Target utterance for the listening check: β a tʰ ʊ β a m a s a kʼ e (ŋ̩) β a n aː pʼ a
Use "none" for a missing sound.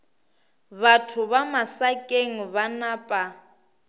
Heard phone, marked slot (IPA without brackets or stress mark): ŋ̩